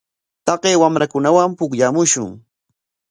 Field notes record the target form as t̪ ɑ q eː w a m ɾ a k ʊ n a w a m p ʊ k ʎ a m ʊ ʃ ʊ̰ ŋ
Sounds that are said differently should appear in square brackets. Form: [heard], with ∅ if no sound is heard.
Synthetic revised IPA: t̪ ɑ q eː w a m ɾ a k ʊ n a w a m p ʊ k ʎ a m ʊ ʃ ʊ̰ ŋ